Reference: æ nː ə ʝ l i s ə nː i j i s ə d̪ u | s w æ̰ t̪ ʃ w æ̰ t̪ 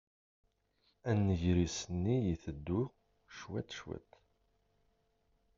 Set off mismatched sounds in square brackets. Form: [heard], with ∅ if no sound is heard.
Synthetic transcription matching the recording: æ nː ə ʝ [ɾ] i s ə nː i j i [θ] ə [d̪ː] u | [ʃ] w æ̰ t̪ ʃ w æ̰ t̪